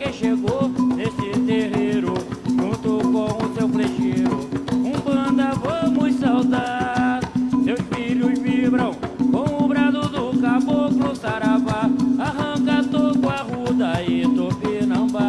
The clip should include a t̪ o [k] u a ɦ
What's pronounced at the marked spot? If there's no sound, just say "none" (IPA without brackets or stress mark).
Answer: k